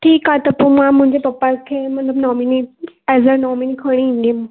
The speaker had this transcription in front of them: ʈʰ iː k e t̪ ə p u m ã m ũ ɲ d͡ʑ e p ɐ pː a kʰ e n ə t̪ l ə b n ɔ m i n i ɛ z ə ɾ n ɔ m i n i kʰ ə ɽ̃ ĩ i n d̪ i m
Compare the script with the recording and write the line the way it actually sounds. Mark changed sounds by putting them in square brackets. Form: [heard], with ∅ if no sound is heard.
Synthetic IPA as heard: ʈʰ iː k [a] t̪ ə p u m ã m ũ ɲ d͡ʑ e p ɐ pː a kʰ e [m] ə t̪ l ə b n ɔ m i n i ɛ z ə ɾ n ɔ m i n i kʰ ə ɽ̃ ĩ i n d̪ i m